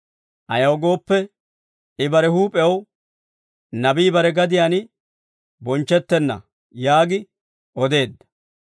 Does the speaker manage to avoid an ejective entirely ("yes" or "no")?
no